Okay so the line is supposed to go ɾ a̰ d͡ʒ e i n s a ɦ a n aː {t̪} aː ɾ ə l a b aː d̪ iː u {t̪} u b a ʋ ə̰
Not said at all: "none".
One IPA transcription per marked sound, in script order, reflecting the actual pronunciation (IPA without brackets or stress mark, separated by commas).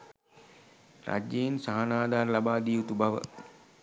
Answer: d̪, t̪